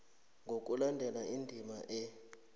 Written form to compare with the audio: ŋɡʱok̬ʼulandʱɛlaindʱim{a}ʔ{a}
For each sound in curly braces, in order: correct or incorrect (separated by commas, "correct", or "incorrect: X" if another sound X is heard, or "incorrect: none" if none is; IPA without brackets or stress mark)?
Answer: correct, incorrect: ɛ